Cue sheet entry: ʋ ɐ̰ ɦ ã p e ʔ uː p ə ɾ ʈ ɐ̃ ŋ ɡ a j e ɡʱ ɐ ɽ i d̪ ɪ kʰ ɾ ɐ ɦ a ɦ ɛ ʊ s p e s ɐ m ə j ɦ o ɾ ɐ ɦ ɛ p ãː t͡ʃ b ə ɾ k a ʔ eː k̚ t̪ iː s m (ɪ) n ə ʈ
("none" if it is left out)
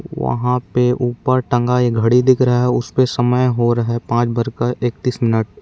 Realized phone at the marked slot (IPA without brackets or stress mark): ɪ